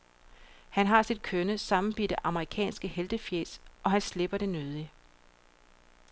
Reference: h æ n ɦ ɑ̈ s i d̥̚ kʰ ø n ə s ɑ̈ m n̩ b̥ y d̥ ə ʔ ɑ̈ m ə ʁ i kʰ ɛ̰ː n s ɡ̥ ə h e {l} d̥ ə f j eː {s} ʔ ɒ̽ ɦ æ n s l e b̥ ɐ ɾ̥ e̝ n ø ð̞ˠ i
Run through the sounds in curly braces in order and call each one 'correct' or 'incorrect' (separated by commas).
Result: correct, correct